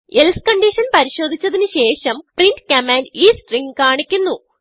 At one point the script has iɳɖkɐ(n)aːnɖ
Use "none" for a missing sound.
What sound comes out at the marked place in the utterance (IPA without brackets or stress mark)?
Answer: m